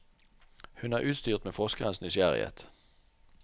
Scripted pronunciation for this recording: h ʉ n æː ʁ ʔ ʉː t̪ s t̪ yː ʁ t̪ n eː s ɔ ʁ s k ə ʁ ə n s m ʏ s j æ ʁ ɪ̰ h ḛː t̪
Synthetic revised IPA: h ʉ n æː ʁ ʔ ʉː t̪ s t̪ yː ʁ t̪ m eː f ɔ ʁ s k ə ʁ ə n s n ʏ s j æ ʁ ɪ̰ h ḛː t̪